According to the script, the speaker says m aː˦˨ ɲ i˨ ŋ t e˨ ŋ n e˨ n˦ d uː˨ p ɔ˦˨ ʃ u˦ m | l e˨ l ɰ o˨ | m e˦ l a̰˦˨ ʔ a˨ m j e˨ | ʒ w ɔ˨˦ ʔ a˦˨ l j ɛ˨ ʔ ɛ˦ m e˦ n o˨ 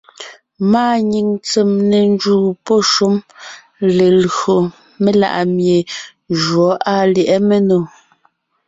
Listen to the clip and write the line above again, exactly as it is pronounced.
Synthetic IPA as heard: m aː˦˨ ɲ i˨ ŋ t͡s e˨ m n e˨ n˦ d͡ʒ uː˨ p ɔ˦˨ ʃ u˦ m | l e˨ l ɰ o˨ | m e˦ l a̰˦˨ ʔ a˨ m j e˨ | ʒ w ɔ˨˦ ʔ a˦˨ l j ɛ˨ ʔ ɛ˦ m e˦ n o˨